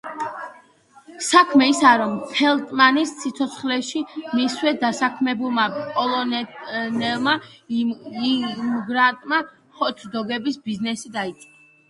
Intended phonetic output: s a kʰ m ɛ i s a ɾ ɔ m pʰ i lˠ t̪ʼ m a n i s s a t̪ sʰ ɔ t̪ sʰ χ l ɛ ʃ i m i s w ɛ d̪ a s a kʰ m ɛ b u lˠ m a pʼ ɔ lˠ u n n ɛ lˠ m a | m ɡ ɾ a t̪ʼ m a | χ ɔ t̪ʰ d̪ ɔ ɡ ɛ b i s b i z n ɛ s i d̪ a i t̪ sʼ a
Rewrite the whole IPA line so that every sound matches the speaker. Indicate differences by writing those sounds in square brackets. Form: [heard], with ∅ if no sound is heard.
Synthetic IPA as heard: s a kʰ m ɛ i s a ɾ ɔ m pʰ [ɛ] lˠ t̪ʼ m a n i s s [i] t̪ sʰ ɔ t̪ sʰ χ l ɛ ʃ i m i s w ɛ d̪ a s a kʰ m ɛ b u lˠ m a pʼ ɔ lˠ [ɔ] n n ɛ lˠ m a | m ɡ ɾ a t̪ʼ m a | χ ɔ t̪ʰ d̪ ɔ ɡ ɛ b i s b i z n ɛ s i d̪ a i t̪ sʼ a